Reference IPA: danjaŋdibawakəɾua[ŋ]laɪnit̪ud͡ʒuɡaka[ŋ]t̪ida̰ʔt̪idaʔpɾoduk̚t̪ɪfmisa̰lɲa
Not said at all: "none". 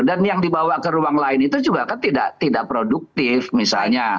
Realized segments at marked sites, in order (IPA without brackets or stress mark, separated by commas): ŋ, n